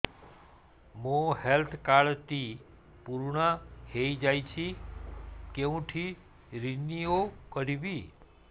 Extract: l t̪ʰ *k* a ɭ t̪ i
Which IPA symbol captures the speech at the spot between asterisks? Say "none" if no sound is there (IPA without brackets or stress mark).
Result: k